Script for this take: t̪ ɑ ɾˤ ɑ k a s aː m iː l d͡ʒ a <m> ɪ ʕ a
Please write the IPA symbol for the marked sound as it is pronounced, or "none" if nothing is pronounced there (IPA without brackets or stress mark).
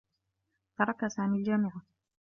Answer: m